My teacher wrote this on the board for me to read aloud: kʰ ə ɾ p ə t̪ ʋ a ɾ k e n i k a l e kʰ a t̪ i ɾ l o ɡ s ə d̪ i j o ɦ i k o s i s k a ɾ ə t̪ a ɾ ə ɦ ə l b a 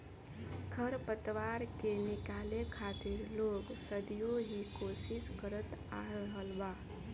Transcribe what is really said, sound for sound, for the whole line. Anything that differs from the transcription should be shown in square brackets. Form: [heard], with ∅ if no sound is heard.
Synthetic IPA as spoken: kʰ ə ɾ p ə t̪ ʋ a ɾ k e n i k a l e kʰ a t̪ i ɾ l o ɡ s ə d̪ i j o ɦ i k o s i s k [ə] ɾ ə t̪ a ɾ ə ɦ ə l b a

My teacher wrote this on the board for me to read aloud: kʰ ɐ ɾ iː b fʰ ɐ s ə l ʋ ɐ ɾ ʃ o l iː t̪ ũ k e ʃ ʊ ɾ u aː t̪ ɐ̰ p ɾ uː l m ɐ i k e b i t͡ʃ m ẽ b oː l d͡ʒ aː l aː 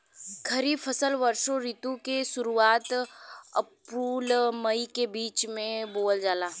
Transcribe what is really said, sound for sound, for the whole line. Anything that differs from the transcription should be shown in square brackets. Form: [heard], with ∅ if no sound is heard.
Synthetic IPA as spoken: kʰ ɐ ɾ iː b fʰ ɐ s ə l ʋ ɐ ɾ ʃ o [ɾ] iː t̪ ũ k e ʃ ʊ ɾ u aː t̪ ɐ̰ p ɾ uː l m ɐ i k e b [iː] t͡ʃ m ẽ b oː l d͡ʒ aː l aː

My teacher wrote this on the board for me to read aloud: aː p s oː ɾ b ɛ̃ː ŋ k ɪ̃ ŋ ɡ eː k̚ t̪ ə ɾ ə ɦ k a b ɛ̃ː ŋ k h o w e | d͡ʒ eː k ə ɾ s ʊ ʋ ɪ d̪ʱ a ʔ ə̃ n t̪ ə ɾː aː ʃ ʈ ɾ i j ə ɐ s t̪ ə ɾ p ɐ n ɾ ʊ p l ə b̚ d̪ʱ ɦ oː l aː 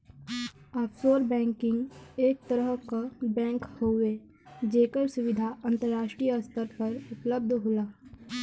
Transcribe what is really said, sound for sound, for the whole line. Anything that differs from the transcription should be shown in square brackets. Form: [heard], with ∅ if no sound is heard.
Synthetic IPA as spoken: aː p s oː ɾ b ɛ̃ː ŋ k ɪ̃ ŋ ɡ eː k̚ t̪ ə ɾ ə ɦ k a b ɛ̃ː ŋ k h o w e | d͡ʒ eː k ə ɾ s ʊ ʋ ɪ d̪ʱ a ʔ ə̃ n t̪ ə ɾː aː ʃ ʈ ɾ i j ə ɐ s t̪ ə ɾ p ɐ [∅] ɾ ʊ p l ə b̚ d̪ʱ ɦ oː l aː

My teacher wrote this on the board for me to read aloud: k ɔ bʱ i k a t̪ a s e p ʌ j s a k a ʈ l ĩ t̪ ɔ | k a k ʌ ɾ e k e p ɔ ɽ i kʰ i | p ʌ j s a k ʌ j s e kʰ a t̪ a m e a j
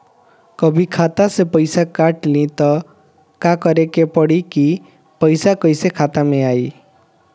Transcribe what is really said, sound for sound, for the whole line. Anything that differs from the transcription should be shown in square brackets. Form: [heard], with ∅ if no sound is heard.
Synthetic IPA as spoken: k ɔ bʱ i [kʰ] a t̪ a s e p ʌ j s a k a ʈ l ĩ t̪ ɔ | k a k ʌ ɾ e k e p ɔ ɽ i [k] i | p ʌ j s a k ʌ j s e kʰ a t̪ a m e a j

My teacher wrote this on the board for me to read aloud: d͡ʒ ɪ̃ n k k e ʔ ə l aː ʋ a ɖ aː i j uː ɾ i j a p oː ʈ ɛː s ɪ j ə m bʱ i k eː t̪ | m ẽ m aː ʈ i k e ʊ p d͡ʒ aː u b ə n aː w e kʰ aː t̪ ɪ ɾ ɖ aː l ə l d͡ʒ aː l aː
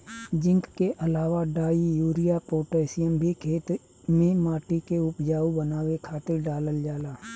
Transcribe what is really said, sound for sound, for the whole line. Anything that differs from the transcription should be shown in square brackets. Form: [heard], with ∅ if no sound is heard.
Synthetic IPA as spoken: d͡ʒ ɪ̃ [ŋ] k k e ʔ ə l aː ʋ a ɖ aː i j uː ɾ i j a p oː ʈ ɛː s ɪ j ə m bʱ i [kʰ] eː t̪ | m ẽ m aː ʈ i k e ʊ p d͡ʒ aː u b ə n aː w e kʰ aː t̪ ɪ ɾ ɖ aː l ə l d͡ʒ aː l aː

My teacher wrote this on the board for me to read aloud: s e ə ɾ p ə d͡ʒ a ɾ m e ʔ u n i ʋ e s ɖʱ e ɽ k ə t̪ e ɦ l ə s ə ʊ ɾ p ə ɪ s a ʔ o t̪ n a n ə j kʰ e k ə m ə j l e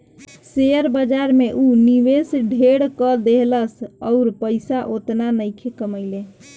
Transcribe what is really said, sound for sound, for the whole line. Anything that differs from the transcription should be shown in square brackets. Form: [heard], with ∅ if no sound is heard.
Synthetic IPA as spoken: s e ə ɾ [b] ə d͡ʒ a ɾ m e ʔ u n i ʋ e s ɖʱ e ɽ k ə [d̪] e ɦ l ə s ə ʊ ɾ p ə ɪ s a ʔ o t̪ n a n ə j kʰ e k ə m ə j l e

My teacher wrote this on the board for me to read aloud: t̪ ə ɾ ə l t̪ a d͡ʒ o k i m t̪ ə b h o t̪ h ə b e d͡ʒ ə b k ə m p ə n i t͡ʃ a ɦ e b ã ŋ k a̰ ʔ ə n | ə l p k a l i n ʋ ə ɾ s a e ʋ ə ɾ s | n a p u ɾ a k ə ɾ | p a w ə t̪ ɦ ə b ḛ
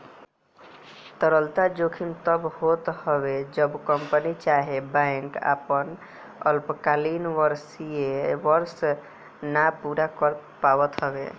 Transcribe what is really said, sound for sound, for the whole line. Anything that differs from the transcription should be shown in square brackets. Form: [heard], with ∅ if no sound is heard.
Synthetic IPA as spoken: t̪ ə ɾ ə l t̪ a d͡ʒ o [kʰ] i m t̪ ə b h o t̪ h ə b e d͡ʒ ə b k ə m p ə n i t͡ʃ a ɦ e b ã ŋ k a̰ [p] ə n | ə l p k a l i n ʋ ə ɾ s [i] e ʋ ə ɾ s | n a p u ɾ a k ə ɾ | p a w ə t̪ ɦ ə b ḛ

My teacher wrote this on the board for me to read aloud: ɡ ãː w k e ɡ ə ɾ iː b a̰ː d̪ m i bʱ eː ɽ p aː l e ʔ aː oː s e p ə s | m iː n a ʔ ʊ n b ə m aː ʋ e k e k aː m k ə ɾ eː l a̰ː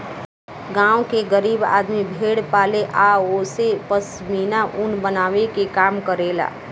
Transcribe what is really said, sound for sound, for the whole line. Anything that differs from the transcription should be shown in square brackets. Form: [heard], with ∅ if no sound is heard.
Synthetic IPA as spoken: ɡ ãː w k e ɡ ə ɾ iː b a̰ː d̪ m i bʱ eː ɽ p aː l e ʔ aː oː s e p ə s | m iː n a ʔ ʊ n b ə [n] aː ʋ e k e k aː m k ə ɾ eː l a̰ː

